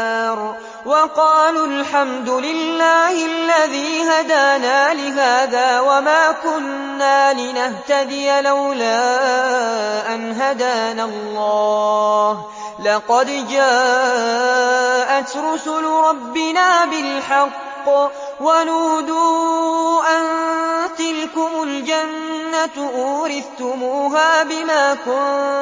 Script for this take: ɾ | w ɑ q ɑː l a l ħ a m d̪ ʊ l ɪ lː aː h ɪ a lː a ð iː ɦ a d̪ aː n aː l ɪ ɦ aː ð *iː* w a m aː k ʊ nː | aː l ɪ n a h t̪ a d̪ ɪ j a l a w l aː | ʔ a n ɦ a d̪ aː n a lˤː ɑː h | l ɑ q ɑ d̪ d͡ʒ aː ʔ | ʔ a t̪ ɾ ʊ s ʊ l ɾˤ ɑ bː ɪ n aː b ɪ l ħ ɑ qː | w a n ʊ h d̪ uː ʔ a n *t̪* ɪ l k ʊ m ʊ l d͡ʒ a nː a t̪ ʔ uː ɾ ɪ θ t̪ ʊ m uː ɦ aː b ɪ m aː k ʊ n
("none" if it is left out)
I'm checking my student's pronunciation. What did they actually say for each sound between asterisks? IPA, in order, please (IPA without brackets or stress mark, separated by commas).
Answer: aː, t̪